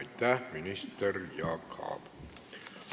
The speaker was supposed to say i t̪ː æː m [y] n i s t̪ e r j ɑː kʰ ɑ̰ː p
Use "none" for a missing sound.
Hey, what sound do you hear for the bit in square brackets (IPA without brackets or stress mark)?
i